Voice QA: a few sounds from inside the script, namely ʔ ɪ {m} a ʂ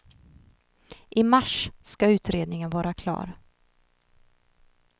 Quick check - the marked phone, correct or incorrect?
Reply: correct